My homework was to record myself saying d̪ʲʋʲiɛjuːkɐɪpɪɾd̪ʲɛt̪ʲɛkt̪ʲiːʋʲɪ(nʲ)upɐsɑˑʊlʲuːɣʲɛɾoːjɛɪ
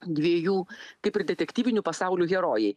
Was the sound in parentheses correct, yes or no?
yes